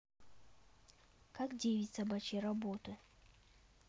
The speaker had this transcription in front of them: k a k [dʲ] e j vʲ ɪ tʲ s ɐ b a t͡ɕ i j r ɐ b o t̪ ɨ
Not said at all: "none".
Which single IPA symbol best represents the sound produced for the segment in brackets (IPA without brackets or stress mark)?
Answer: dʲ